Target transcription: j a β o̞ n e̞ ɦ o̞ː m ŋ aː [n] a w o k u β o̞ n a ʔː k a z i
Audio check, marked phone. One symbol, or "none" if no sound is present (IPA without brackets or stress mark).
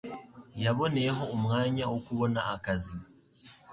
ɲ